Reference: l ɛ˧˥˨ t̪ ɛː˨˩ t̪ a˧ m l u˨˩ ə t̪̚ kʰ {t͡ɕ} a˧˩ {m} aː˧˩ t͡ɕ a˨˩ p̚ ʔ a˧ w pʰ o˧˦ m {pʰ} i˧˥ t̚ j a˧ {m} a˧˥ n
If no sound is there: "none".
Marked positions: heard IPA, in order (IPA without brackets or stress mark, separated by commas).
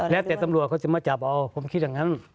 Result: t͡ɕ, m, kʰ, ŋ